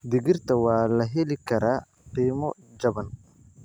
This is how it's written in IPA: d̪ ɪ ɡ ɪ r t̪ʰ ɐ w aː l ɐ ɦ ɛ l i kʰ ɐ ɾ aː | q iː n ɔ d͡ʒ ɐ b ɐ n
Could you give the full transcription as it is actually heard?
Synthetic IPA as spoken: d̪ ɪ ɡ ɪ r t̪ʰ ɐ w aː l ɐ ɦ ɛ l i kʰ ɐ ɾ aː | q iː m ɔ d͡ʒ ɐ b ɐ n